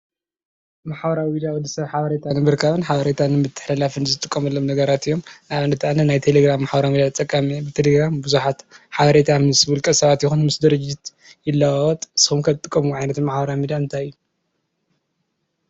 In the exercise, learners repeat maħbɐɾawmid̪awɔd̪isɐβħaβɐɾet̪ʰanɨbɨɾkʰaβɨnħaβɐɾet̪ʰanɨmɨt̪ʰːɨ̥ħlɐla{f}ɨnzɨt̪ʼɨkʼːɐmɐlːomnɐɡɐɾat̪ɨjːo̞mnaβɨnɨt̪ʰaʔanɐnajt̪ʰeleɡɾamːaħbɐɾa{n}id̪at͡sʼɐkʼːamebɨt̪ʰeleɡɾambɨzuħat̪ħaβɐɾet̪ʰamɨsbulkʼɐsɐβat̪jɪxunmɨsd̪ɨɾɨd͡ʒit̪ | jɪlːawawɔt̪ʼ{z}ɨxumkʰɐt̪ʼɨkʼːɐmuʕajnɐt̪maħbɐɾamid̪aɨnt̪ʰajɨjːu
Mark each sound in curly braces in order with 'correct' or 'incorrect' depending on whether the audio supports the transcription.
correct, incorrect: m, incorrect: s

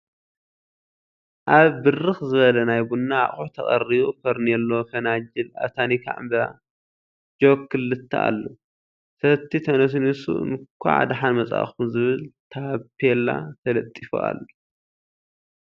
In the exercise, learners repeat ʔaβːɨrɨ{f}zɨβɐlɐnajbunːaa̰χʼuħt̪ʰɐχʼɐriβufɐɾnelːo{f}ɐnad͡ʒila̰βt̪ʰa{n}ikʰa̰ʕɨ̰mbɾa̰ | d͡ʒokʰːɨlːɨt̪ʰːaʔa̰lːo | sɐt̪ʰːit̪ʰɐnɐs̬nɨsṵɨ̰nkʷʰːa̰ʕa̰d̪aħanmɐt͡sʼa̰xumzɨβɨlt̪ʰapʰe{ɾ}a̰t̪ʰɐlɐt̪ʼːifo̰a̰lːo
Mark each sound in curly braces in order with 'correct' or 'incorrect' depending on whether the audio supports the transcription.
incorrect: x, correct, correct, incorrect: l

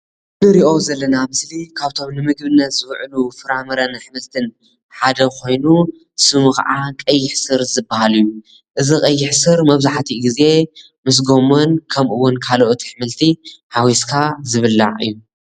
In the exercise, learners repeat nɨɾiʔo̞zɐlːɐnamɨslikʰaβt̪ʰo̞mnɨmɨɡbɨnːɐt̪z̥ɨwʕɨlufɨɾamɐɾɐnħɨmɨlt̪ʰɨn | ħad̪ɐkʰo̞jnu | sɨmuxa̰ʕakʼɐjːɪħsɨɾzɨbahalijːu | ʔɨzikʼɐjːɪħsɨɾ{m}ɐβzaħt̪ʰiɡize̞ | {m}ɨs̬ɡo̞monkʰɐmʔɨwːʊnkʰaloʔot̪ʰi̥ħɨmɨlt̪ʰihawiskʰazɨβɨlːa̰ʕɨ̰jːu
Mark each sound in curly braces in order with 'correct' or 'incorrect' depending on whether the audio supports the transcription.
correct, correct

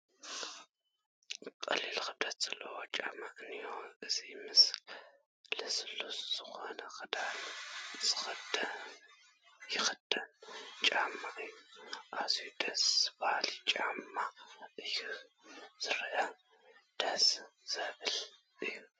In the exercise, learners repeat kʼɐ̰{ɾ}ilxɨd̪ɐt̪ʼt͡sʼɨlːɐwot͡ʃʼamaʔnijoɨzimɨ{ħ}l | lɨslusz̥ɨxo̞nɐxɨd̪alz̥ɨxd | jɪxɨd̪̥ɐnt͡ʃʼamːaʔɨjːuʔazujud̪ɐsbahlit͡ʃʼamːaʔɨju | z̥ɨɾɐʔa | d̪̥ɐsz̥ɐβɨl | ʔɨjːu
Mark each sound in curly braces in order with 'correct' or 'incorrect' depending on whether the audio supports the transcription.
incorrect: l, incorrect: s

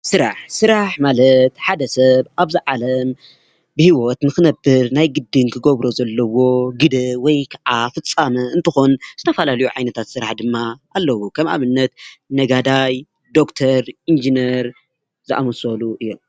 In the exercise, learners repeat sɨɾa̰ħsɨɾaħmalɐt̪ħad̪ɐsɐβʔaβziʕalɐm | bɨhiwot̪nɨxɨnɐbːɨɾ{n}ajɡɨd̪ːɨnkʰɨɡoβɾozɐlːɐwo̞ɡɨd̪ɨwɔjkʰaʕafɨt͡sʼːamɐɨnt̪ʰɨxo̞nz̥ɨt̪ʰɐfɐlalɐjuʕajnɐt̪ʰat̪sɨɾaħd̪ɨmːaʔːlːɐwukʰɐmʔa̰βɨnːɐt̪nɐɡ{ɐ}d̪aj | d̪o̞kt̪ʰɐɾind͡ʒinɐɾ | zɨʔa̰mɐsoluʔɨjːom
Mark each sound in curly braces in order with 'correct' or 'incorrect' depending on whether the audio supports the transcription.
correct, incorrect: a

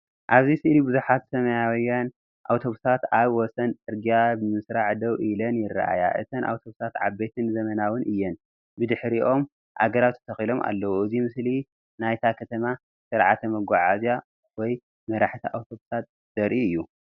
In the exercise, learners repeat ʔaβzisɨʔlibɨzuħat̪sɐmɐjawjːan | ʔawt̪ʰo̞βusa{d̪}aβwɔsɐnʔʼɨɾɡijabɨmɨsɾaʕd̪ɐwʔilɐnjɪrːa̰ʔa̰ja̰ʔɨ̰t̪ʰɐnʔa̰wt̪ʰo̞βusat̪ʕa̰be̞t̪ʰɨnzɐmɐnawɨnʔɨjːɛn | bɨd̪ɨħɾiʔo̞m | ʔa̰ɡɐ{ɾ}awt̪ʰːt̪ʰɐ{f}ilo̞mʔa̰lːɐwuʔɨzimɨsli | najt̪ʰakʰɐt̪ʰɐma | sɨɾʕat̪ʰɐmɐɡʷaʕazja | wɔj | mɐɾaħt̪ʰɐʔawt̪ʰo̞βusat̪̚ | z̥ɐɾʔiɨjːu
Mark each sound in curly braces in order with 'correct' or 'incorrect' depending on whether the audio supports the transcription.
incorrect: t̪, correct, incorrect: x

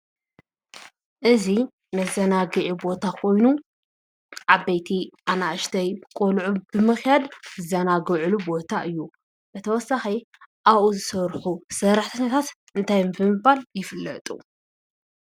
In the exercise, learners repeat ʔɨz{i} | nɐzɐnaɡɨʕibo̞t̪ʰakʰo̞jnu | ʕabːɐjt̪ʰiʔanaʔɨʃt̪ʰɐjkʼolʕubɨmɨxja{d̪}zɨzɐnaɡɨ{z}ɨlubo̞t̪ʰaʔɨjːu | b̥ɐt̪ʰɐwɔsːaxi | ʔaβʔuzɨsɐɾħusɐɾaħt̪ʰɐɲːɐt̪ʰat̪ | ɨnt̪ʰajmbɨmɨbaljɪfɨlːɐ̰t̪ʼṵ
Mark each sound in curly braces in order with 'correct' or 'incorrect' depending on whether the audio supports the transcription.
correct, correct, incorrect: ʕ

